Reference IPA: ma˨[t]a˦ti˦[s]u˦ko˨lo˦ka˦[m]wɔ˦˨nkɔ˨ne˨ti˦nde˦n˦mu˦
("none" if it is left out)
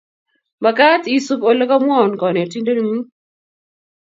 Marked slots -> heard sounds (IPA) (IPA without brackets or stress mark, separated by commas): k, s, m